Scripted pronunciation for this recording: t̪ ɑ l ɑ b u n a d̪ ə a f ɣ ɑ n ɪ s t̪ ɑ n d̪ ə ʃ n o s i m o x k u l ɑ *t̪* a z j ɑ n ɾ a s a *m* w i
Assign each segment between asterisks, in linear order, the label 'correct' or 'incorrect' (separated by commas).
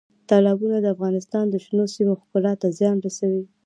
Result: correct, incorrect